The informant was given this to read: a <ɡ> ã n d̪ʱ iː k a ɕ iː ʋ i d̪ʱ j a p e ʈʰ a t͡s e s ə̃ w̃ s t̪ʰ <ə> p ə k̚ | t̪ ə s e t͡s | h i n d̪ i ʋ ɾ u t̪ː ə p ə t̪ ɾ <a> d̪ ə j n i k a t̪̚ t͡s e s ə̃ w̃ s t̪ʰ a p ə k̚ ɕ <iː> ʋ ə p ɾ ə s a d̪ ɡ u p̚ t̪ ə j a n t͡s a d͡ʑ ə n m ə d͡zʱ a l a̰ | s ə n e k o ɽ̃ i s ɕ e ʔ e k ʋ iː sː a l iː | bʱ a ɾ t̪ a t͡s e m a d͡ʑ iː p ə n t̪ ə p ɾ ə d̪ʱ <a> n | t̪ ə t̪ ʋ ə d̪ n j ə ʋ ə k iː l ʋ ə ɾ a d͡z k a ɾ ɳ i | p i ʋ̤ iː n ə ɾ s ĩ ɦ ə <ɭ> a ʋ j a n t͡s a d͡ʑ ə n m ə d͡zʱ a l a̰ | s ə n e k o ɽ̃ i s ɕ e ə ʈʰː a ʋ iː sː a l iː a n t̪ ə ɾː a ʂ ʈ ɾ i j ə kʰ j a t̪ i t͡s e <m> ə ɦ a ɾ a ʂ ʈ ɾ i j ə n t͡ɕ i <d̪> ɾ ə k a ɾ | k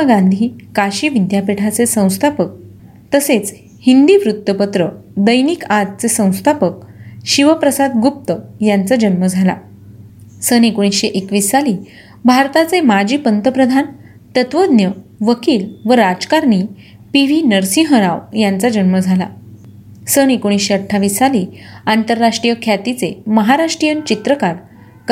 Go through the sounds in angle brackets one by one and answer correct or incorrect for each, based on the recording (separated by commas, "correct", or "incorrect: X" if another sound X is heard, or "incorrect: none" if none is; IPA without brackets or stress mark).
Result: correct, incorrect: a, incorrect: ə, incorrect: i, correct, incorrect: ɾ, correct, incorrect: t̪